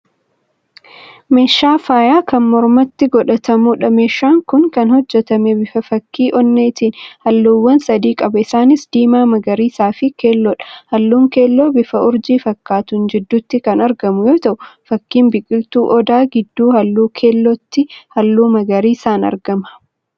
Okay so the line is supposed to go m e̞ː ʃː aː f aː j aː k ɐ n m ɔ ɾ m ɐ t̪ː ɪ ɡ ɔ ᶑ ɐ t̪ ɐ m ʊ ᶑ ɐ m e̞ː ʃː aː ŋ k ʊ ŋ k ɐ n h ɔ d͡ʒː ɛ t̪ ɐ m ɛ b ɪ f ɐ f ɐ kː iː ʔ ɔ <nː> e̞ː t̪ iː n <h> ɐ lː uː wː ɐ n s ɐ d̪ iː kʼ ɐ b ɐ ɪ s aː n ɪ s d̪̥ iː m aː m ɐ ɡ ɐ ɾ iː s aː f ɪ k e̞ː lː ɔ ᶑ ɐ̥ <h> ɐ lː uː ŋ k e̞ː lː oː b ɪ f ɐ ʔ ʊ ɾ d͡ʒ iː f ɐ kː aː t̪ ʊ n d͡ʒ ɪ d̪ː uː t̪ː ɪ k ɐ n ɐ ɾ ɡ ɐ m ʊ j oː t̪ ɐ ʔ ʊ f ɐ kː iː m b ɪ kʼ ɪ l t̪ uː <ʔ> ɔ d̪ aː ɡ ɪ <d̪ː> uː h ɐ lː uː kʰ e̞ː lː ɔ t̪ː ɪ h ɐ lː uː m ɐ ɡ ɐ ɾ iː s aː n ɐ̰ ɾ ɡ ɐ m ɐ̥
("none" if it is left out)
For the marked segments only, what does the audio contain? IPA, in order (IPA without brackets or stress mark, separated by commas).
nː, h, h, ʔ, d̪ː